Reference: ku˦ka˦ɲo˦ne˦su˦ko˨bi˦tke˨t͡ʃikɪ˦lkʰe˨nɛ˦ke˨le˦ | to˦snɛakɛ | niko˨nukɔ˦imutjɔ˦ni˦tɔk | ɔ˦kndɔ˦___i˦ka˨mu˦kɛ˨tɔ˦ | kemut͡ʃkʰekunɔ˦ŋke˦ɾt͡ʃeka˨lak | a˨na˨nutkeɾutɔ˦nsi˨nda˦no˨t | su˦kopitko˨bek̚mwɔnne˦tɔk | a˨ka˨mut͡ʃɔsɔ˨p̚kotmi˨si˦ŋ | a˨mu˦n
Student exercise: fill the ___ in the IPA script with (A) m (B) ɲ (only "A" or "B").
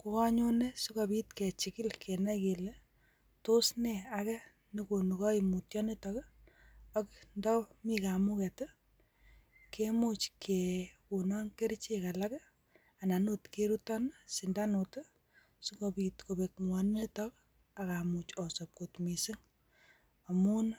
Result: A